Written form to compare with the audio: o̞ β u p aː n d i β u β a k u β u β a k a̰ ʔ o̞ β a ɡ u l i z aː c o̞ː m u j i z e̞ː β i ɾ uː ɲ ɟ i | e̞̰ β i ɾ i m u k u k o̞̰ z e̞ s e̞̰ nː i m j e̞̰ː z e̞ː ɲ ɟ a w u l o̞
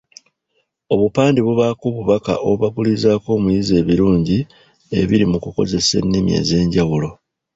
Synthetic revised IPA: o̞ β u p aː n d i β u β a k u β u β a k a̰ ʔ o̞ β a ɡ u l i z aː k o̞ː m u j i z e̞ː β i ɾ uː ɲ ɟ i | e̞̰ β i ɾ i m u k u k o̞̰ z e̞ s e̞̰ nː i m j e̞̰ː z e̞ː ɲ ɟ a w u l o̞